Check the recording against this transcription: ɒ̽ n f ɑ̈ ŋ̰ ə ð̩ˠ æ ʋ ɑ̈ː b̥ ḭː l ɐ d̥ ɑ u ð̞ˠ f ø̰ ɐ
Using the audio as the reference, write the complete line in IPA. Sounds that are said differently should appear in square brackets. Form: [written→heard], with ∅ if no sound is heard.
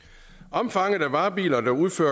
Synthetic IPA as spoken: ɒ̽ [n→m] f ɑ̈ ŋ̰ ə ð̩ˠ æ ʋ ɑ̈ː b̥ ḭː l ɐ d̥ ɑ u ð̞ˠ f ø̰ ɐ